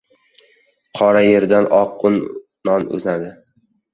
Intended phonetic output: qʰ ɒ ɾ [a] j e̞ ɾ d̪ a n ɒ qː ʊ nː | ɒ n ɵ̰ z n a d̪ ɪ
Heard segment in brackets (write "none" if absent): a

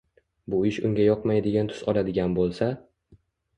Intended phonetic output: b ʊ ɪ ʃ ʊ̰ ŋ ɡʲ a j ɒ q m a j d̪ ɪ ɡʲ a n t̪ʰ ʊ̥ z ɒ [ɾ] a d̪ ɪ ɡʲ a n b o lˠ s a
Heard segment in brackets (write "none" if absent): l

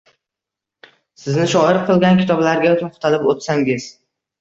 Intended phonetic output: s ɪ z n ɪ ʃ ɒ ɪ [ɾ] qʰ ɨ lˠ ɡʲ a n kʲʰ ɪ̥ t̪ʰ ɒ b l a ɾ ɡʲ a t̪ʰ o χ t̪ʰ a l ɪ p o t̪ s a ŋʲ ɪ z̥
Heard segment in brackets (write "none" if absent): ɾ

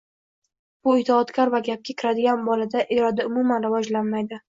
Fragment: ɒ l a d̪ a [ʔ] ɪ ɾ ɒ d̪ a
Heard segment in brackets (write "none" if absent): ʔ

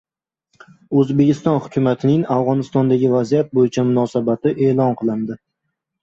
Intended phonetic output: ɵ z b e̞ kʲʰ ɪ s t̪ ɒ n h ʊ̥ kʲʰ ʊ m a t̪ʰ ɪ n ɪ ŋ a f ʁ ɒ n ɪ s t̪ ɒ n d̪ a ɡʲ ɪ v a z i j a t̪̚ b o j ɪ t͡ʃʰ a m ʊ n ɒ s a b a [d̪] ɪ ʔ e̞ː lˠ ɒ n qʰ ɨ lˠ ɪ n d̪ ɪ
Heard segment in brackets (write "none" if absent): t̪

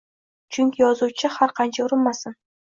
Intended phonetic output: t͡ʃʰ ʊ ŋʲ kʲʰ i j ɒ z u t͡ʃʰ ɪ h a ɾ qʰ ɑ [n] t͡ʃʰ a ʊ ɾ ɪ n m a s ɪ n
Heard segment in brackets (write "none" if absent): n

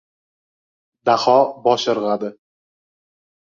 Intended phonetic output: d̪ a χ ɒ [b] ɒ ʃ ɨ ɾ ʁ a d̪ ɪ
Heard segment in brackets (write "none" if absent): b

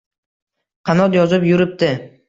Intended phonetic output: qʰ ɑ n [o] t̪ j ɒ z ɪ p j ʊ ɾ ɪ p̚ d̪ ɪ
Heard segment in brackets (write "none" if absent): ɒ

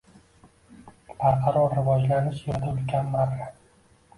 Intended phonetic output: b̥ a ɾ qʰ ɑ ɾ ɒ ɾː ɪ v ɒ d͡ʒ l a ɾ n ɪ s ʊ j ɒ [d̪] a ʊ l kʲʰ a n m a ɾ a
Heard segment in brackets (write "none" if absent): d̪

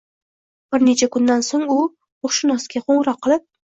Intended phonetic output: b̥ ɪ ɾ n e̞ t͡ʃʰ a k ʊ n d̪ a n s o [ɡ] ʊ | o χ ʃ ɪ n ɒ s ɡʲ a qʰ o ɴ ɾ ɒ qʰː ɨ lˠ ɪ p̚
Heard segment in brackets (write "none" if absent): ŋ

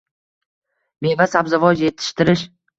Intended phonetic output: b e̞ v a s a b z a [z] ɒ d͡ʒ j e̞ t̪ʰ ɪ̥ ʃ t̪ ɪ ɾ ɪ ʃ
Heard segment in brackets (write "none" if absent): v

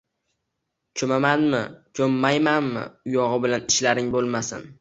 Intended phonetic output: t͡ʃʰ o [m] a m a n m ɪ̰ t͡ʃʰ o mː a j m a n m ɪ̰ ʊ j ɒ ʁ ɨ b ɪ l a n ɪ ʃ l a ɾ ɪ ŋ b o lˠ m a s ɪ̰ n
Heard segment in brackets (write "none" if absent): m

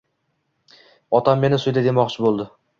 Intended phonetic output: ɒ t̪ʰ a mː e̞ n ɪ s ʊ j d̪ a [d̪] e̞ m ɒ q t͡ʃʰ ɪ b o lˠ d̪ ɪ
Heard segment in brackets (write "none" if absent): d̪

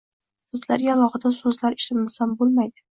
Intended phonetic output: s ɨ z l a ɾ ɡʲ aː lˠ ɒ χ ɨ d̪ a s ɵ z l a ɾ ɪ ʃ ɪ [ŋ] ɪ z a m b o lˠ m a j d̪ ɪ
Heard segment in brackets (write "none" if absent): m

